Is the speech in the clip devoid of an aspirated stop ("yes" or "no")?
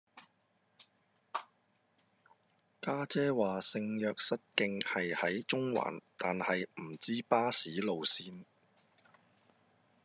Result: yes